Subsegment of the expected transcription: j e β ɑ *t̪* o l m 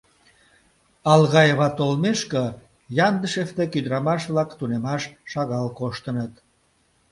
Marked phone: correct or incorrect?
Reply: correct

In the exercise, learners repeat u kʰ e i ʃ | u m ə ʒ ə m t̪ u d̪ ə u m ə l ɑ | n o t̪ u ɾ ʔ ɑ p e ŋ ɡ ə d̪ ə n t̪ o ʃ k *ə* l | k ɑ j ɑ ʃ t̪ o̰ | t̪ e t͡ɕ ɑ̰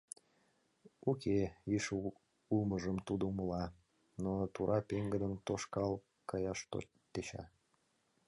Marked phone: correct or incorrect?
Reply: incorrect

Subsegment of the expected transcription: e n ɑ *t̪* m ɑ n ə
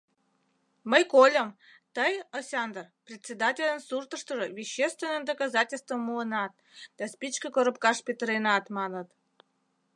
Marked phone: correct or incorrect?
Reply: correct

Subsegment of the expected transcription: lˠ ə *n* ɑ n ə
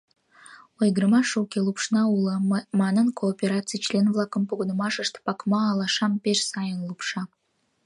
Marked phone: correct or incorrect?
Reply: incorrect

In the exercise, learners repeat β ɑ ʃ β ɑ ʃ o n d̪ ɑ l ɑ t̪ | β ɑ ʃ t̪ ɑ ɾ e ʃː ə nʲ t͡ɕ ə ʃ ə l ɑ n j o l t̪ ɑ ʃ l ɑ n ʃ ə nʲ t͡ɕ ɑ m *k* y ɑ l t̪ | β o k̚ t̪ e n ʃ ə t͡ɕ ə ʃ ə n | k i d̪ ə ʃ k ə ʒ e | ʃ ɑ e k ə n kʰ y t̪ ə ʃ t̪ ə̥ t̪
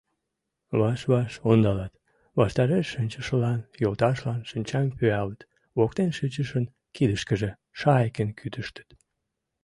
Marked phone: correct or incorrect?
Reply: incorrect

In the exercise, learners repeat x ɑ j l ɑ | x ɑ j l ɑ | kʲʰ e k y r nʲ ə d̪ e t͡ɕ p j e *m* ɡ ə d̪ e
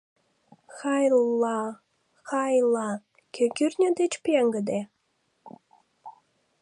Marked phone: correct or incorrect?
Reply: incorrect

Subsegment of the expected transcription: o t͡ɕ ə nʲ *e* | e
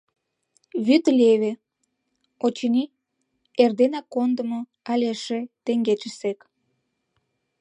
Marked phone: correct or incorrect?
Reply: incorrect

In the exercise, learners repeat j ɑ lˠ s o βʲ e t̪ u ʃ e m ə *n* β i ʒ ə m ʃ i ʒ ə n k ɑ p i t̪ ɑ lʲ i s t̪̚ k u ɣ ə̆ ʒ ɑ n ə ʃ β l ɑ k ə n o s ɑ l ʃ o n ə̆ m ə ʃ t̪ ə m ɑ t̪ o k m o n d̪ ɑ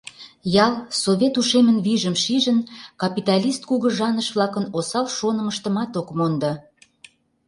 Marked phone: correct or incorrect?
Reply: correct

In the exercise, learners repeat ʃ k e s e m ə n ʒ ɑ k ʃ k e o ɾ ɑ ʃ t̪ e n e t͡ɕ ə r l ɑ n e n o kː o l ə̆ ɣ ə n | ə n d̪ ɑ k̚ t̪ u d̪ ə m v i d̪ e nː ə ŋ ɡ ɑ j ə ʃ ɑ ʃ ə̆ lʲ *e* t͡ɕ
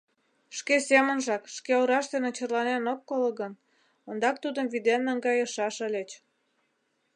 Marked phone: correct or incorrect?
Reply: correct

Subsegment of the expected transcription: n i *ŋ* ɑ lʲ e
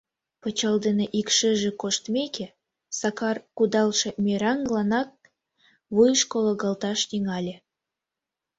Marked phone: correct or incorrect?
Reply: correct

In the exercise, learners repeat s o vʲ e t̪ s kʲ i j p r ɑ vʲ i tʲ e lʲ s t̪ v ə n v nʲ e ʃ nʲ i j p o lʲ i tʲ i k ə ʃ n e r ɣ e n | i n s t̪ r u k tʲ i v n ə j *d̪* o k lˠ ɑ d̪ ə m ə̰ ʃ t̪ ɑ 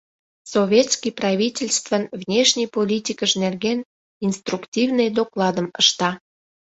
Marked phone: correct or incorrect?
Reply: correct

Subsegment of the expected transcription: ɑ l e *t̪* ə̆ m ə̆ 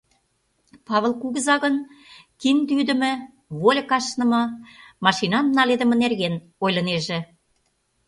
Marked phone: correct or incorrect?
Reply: incorrect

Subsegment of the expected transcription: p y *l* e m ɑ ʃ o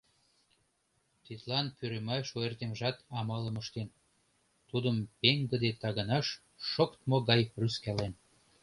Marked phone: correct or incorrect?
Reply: incorrect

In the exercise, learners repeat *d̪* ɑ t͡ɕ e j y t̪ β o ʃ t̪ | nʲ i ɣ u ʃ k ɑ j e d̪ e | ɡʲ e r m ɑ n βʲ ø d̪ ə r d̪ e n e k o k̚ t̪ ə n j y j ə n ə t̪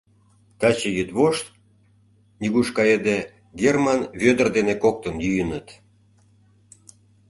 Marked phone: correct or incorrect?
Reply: incorrect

